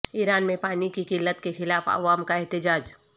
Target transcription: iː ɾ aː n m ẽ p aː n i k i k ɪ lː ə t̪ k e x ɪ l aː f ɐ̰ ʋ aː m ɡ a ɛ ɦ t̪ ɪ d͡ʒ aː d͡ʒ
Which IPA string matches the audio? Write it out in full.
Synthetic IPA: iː ɾ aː n m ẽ p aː n i k i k ɪ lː ə t̪ k e x ɪ l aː f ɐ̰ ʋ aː m k a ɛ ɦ t̪ ɪ d͡ʒ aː d͡ʒ